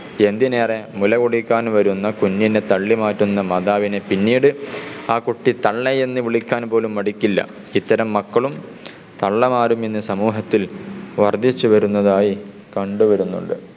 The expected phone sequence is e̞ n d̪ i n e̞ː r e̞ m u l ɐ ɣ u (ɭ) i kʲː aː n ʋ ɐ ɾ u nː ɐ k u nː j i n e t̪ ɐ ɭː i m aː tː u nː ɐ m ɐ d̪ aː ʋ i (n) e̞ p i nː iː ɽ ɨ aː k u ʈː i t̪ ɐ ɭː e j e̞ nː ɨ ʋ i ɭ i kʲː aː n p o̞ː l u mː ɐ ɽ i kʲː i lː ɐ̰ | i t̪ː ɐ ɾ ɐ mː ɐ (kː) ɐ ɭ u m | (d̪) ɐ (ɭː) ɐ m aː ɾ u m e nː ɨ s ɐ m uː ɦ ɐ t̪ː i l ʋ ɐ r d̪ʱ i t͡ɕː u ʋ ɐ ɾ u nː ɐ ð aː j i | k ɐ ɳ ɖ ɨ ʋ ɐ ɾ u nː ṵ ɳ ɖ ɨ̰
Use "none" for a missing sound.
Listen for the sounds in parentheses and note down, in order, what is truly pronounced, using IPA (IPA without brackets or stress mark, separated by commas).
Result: ɽ, n, kː, t̪, ɭː